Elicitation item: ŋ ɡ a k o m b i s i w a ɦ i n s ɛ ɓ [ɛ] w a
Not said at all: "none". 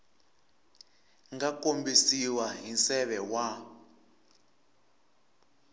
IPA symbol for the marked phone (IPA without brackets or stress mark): ɛ